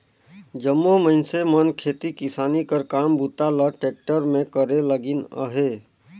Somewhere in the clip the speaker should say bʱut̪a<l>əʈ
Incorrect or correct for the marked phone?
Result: correct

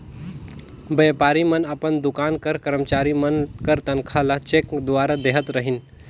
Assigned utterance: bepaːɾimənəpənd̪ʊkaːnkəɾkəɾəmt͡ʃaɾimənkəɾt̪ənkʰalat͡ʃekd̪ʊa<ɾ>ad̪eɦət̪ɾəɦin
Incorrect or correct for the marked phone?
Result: correct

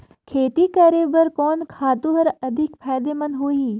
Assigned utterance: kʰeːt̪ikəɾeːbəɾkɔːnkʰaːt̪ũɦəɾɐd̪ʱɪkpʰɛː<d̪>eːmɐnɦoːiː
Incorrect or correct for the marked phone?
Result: correct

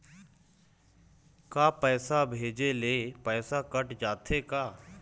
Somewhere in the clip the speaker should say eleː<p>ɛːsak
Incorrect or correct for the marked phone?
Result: correct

